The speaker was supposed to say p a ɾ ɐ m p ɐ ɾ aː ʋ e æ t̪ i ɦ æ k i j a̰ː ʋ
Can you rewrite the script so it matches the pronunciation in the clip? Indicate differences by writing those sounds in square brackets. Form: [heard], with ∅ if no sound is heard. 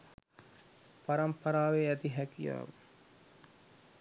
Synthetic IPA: p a ɾ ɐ m p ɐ ɾ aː ʋ e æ t̪ i ɦ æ k i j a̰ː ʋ